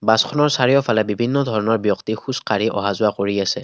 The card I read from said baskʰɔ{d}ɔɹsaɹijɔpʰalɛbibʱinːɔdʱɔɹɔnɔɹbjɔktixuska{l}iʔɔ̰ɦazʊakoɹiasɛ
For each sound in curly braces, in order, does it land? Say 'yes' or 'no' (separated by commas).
no, no